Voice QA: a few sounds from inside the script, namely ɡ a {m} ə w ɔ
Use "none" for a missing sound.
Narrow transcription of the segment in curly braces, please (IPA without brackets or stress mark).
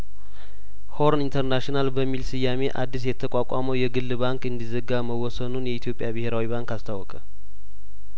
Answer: m